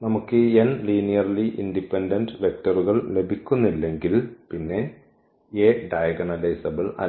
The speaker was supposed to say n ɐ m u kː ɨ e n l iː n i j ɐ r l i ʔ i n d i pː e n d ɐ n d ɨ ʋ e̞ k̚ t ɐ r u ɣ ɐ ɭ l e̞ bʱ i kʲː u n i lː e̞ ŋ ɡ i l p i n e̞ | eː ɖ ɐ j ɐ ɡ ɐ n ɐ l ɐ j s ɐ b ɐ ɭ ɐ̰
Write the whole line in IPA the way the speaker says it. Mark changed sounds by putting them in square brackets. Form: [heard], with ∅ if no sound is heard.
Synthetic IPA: n ɐ m u kː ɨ e n l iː n i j ɐ r l i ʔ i n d i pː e n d ɐ n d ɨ ʋ e̞ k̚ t ɐ r u ɣ ɐ ɭ l e̞ bʱ i kʲː u [nː] i lː e̞ ŋ ɡ i l p i [nː] e̞ | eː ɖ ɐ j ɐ ɡ ɐ n ɐ l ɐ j s ɐ b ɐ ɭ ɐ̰